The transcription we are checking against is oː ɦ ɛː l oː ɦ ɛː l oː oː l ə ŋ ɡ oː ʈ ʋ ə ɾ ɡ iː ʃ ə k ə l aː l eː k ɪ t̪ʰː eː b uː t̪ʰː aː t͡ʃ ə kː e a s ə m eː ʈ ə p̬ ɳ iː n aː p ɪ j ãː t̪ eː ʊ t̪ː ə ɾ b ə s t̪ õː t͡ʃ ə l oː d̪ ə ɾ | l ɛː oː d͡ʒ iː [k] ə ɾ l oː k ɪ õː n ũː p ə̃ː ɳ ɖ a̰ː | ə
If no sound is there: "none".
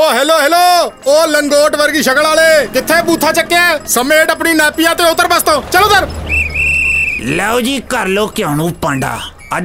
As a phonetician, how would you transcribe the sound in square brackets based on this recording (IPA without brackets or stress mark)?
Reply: k